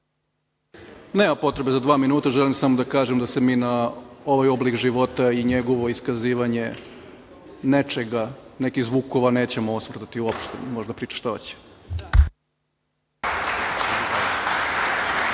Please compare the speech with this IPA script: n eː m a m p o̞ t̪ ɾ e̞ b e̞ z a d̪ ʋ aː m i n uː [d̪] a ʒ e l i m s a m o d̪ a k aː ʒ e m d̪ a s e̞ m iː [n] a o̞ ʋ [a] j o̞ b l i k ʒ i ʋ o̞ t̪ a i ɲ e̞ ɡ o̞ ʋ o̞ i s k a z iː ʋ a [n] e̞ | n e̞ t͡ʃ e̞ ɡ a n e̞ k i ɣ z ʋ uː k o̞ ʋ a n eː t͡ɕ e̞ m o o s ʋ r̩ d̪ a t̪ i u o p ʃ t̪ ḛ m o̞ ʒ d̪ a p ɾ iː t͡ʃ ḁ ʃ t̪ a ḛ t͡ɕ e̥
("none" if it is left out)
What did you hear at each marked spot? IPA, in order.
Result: t̪, n, a, ɲ

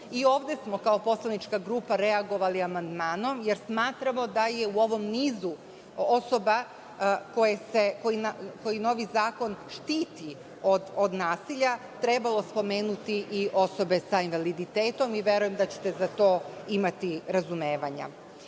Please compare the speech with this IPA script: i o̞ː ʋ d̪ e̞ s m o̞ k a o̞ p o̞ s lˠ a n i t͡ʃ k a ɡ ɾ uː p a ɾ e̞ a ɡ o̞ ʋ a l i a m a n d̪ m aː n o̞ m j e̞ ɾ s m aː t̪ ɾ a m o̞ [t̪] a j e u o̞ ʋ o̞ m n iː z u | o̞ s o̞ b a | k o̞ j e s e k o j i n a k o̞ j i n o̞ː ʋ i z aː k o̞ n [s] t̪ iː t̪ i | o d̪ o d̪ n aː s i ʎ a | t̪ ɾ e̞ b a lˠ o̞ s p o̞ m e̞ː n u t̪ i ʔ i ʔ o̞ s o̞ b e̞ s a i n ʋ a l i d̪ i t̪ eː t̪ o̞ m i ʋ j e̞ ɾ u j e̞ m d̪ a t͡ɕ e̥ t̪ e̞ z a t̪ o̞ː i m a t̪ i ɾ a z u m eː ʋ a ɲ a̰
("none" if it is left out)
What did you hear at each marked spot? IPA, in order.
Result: d̪, ʃ

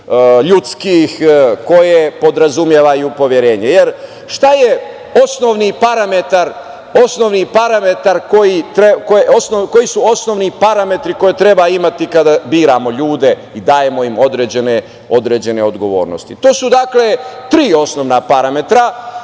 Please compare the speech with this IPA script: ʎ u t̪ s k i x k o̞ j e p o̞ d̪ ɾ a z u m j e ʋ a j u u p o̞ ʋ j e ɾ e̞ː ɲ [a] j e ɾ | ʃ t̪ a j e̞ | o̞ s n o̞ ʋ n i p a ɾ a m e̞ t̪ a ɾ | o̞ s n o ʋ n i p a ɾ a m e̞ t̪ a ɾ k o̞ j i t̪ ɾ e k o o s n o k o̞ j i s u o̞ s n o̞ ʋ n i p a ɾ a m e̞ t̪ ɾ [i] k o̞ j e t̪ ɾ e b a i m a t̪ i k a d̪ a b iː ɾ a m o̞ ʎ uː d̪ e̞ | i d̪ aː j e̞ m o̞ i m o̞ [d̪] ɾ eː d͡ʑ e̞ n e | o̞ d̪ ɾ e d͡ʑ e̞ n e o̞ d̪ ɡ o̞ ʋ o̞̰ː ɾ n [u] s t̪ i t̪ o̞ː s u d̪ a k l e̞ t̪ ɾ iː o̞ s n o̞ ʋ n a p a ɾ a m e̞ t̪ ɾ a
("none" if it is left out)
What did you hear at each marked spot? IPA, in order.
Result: e, i, d̪, o

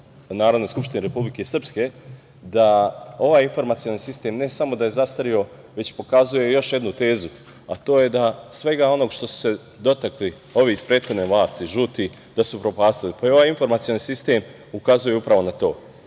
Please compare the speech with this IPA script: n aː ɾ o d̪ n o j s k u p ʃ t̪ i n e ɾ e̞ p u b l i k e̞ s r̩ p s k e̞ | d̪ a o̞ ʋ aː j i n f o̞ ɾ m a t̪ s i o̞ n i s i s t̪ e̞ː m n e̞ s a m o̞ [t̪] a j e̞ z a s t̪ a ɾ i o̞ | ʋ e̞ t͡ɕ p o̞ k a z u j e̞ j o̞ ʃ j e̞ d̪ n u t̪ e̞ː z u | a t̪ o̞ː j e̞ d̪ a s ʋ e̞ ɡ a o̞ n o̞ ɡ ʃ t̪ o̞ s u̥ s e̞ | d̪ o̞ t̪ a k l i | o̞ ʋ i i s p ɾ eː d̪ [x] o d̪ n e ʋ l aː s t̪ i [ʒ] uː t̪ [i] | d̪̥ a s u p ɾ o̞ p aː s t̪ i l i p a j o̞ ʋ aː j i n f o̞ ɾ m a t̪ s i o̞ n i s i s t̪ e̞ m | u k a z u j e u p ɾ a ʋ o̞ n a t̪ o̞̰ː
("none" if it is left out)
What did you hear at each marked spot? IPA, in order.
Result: d̪, x, ʒ, i

